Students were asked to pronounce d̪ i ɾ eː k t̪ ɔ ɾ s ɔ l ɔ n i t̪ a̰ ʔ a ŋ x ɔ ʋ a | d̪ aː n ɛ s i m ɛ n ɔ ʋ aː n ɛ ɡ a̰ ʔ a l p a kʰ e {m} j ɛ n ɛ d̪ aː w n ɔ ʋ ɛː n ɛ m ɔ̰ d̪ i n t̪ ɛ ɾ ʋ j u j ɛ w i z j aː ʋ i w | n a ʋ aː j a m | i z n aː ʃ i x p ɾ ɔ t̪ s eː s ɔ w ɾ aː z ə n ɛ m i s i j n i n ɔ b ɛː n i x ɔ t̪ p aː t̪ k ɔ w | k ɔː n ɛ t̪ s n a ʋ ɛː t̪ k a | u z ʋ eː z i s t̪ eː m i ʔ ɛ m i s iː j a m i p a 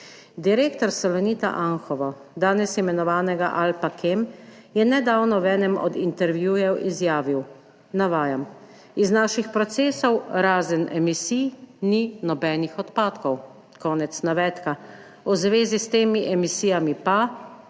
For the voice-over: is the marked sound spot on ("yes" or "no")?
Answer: yes